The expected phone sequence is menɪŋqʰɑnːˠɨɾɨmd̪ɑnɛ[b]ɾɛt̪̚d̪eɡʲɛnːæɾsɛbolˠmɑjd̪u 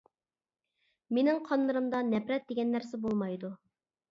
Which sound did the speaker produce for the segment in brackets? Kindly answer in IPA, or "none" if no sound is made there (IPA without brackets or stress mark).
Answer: p